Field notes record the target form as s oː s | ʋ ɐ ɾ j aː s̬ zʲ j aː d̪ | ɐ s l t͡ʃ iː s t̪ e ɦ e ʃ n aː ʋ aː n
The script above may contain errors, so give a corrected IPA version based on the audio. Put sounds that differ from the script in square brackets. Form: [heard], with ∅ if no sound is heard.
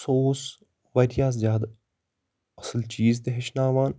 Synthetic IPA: s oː s | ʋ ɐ ɾ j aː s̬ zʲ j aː d̪ | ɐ s l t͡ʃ iː [z] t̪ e ɦ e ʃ n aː ʋ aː n